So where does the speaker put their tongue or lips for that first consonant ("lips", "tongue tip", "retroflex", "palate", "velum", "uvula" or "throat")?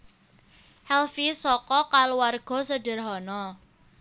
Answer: throat